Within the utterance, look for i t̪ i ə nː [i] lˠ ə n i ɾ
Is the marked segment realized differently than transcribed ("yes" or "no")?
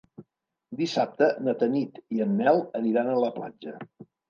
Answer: yes